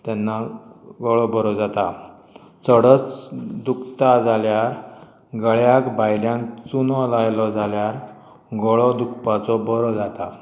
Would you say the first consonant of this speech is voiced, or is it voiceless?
voiceless